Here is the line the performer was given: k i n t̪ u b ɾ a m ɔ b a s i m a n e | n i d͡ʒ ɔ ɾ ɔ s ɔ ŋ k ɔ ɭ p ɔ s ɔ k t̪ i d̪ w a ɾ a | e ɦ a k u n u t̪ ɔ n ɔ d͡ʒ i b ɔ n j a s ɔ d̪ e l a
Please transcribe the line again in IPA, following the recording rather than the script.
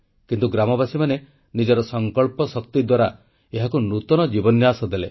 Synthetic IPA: k i n t̪ u ɡ ɾ a m ɔ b a s i m a n e | n i d͡ʒ ɔ ɾ ɔ s ɔ ŋ k ɔ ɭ p ɔ s ɔ k t̪ i d̪ w a ɾ a | e ɦ a k u n u t̪ ɔ n ɔ d͡ʒ i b ɔ n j a s ɔ d̪ e l e